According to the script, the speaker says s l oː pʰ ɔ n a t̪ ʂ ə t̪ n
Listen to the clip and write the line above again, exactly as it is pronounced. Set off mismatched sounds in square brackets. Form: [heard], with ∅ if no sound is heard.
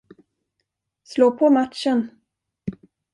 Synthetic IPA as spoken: s l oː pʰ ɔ [m] a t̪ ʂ ə [∅] n